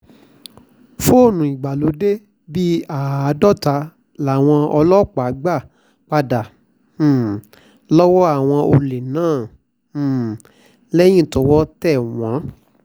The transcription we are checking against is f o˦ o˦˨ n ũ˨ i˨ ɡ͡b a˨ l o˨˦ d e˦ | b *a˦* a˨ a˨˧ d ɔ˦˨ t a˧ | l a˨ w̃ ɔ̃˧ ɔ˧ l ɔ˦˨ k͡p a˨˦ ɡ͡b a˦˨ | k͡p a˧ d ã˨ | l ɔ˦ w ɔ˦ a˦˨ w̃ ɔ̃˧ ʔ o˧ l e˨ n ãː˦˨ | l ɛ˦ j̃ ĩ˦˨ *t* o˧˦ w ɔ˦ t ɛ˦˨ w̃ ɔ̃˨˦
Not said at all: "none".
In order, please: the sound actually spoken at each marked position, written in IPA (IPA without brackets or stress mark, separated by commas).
i˦, t